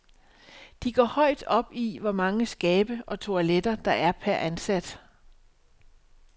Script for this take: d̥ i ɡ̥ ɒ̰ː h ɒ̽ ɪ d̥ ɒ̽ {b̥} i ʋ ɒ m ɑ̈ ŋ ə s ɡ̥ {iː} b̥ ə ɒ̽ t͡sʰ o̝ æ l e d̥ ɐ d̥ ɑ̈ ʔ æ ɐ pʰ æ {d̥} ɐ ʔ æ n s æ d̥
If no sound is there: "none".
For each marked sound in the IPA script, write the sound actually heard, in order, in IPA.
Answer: b̥, ɛː, none

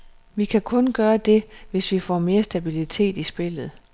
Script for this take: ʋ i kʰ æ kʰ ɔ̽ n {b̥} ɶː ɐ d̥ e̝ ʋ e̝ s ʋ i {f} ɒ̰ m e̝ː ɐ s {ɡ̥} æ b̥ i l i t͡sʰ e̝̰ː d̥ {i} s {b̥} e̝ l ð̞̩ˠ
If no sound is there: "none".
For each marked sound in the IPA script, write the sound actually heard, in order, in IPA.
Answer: ɡ̥, f, d̥, i, b̥

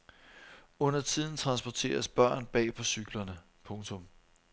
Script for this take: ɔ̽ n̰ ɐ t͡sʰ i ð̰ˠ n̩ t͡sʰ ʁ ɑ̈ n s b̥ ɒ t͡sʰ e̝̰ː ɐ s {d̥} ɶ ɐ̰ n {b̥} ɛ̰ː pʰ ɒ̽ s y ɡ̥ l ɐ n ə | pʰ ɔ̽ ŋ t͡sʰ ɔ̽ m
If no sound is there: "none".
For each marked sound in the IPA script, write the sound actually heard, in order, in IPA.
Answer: b̥, b̥

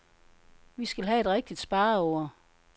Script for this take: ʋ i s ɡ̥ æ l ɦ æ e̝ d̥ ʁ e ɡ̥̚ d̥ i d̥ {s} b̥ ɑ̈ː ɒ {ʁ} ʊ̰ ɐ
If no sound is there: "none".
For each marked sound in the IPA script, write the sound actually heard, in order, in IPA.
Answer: s, none

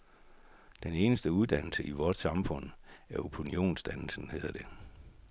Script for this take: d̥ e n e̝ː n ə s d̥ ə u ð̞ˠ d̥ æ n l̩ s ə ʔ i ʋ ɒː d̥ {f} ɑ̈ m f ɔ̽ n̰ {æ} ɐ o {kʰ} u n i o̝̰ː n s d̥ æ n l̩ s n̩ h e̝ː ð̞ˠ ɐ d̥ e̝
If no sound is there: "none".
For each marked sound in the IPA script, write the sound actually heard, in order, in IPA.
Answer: s, æ, pʰ

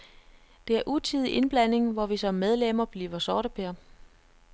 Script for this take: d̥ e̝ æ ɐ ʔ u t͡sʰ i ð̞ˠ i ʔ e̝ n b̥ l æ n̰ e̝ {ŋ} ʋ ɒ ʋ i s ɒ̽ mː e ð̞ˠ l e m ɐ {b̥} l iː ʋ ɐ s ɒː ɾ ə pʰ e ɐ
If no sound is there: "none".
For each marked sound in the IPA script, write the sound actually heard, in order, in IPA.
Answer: ŋ, b̥

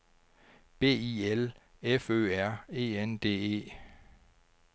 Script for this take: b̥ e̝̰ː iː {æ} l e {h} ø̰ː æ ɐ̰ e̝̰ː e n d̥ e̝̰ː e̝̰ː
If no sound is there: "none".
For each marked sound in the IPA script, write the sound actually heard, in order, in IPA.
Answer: e, f

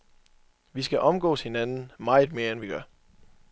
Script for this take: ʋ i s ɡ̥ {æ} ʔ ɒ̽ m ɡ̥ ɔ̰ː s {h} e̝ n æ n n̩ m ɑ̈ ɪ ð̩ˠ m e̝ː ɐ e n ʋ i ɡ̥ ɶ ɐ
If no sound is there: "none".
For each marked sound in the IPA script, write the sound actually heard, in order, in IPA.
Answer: æ, h

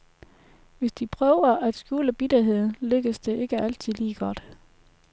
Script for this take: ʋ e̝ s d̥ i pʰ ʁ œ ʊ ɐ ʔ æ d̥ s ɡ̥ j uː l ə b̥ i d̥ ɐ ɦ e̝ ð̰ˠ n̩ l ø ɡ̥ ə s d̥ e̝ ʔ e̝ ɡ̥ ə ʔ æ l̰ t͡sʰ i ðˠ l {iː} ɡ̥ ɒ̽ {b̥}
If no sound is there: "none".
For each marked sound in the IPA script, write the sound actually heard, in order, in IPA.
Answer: iː, d̥

